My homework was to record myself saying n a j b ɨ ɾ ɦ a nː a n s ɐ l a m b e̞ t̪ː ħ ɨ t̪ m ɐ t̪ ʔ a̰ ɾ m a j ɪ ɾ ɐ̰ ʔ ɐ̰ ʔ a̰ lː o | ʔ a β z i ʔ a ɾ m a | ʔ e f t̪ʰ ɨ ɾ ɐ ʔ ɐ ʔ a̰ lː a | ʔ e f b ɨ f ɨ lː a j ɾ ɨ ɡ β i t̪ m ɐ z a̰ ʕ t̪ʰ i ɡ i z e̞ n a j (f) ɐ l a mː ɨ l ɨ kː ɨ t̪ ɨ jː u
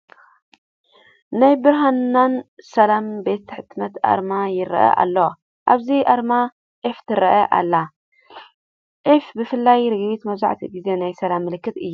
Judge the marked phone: incorrect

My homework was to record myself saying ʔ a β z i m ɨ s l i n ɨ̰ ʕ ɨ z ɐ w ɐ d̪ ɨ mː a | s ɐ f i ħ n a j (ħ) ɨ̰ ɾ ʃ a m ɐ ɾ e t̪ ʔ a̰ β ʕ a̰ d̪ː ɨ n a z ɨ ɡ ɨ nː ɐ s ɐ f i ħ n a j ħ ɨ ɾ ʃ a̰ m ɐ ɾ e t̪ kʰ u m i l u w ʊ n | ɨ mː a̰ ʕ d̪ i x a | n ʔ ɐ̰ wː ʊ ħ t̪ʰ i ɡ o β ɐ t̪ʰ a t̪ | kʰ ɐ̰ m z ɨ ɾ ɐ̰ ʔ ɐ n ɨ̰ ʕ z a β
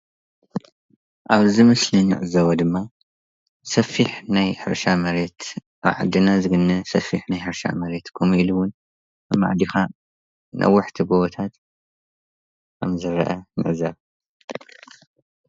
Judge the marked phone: correct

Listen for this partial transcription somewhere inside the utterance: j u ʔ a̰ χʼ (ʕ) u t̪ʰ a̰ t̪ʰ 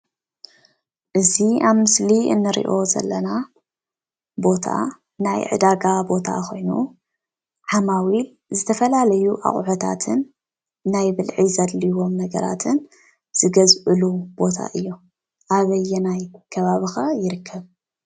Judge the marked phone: correct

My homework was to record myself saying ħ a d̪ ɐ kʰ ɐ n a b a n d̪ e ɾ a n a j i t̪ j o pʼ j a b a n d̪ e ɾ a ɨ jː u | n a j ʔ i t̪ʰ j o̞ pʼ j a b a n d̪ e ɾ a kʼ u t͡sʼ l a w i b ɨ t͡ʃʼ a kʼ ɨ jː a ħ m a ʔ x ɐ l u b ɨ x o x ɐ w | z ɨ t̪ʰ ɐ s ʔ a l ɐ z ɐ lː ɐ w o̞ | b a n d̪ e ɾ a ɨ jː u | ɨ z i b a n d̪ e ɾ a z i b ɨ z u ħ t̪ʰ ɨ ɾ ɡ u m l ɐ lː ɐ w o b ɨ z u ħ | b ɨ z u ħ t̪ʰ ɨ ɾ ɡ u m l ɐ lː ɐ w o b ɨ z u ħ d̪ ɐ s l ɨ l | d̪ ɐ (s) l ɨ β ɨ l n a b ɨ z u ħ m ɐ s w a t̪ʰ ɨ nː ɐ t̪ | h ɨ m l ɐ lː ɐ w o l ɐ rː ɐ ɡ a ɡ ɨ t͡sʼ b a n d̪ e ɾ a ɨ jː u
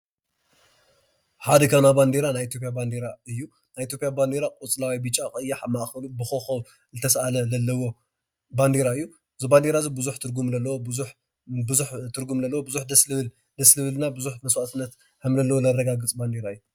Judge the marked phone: correct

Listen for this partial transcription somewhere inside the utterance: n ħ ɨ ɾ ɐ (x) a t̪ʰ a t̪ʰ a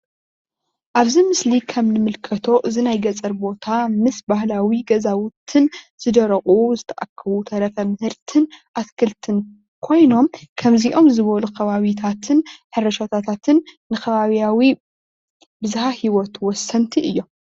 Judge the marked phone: incorrect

